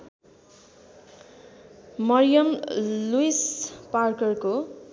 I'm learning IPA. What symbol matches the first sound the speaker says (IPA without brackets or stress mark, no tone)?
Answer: m